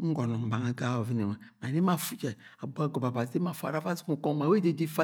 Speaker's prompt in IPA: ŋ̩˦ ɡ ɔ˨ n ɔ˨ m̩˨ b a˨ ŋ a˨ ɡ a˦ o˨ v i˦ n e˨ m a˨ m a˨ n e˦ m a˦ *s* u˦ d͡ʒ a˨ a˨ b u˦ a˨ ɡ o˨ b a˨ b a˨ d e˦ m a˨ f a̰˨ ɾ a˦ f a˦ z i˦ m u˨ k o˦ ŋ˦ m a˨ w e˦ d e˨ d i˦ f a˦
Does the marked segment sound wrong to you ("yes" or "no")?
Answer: yes